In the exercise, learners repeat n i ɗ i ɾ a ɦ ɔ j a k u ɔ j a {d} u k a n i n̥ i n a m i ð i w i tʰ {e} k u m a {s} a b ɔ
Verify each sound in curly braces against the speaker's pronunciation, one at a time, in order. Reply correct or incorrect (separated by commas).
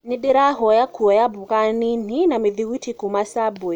incorrect, incorrect, correct